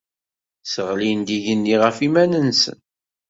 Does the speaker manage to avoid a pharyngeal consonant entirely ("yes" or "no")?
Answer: yes